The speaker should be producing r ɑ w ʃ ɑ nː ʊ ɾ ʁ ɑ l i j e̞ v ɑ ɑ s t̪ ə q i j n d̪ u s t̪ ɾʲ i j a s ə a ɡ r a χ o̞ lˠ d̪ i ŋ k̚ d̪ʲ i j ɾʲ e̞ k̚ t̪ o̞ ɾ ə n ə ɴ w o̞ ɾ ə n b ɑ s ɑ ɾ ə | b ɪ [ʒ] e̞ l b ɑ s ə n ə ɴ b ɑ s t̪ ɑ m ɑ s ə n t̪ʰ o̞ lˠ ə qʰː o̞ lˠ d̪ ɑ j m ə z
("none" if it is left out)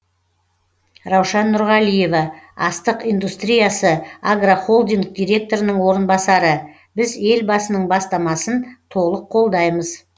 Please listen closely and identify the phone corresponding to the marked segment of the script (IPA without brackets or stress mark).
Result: z